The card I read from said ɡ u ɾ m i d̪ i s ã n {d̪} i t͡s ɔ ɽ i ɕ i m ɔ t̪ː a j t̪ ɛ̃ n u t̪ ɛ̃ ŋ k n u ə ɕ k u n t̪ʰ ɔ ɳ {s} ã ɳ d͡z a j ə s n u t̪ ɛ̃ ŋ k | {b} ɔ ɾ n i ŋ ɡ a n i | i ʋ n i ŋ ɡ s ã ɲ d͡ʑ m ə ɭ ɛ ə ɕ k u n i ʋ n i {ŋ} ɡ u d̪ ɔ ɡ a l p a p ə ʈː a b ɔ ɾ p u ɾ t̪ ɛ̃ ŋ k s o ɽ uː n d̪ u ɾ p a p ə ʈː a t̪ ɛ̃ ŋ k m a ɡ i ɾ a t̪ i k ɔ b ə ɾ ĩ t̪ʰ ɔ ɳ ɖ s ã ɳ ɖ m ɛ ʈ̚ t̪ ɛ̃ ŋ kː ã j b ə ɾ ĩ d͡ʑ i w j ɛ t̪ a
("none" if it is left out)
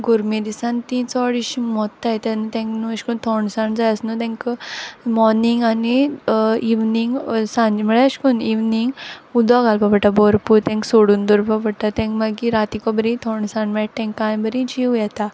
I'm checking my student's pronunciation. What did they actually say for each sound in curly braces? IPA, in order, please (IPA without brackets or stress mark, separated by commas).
t̪, s, m, ŋ